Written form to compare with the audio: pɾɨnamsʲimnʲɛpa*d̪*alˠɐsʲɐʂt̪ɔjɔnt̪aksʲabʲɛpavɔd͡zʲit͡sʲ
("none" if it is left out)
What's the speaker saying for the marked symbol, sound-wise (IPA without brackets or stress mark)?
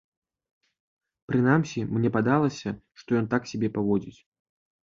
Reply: d̪